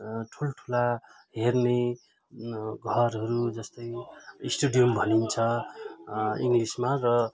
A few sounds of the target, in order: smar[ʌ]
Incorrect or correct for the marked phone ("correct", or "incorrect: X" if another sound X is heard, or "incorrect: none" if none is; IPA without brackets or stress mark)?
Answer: correct